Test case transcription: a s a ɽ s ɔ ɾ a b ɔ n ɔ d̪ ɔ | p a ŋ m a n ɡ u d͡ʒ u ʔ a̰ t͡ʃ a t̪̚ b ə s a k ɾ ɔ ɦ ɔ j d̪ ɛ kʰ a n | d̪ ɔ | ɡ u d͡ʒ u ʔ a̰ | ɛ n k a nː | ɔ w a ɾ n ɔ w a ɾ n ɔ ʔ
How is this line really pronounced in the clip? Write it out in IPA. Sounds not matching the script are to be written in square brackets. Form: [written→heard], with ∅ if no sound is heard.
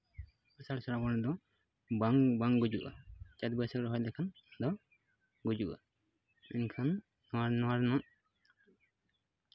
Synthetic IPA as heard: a s a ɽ s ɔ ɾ a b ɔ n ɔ d̪ ɔ | [p→b] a ŋ [m→b] a [n→ŋ] ɡ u d͡ʒ u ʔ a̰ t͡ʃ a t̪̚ b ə s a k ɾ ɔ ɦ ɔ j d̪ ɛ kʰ a n | d̪ ɔ | ɡ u d͡ʒ u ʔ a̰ | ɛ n [k→kʰ] a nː | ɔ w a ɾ n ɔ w a ɾ n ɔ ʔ